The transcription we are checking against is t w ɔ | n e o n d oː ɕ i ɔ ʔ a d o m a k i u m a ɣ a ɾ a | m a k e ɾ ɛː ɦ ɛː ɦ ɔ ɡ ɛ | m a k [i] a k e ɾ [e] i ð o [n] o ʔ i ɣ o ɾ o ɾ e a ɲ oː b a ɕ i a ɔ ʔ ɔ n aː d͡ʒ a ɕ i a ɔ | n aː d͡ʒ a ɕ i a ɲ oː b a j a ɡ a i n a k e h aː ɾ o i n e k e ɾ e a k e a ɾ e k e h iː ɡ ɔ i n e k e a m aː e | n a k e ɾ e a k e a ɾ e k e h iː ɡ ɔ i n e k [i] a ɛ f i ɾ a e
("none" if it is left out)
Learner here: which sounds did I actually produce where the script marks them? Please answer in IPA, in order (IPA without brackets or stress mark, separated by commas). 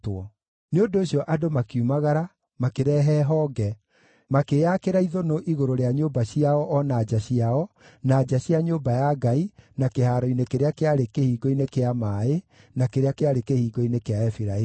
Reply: e, a, n, e